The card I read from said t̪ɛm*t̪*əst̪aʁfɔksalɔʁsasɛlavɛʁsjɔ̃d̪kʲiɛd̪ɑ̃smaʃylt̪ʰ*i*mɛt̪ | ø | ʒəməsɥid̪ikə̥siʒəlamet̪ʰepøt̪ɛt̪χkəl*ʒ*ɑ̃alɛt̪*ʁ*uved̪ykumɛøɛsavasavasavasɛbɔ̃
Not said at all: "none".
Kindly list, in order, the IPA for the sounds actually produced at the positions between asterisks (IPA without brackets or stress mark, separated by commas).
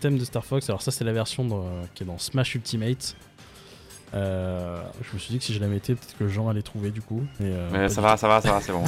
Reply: d̪, i, ʒ, χ